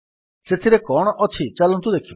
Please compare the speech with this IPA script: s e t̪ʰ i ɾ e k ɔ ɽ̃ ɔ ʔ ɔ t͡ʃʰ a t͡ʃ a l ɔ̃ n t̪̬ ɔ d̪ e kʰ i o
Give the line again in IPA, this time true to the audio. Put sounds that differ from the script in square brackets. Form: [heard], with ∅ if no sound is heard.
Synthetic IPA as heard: s e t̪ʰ i ɾ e k ɔ ɽ̃ ɔ ʔ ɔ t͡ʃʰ [i] t͡ʃ a l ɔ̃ n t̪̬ [u] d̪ e kʰ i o